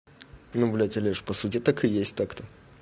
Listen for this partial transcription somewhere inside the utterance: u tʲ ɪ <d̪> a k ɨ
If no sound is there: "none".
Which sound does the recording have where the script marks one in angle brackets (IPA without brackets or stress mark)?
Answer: t̪